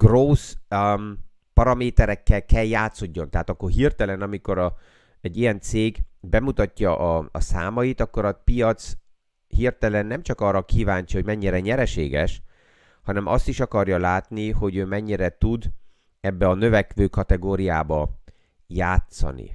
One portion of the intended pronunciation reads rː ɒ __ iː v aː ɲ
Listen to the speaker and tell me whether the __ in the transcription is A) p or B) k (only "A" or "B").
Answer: B